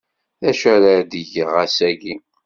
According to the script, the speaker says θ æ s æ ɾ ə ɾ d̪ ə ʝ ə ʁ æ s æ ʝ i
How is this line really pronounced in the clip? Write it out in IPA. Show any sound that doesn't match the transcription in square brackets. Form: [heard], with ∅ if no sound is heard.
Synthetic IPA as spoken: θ æ [ʃ] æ ɾ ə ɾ d̪ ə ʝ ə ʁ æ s æ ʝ i